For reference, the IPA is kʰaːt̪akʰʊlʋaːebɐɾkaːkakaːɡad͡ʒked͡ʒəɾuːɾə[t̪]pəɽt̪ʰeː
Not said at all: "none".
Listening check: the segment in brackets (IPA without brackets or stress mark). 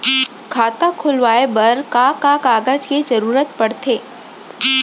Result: t̪